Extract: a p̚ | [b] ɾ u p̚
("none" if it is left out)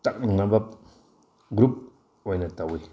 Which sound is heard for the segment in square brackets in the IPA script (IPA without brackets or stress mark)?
ɡ